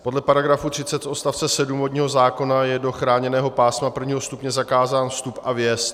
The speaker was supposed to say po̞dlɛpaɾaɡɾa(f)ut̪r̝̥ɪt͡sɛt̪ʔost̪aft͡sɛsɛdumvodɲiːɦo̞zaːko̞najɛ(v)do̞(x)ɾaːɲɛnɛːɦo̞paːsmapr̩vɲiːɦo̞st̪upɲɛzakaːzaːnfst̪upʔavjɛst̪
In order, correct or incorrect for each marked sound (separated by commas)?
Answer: correct, incorrect, correct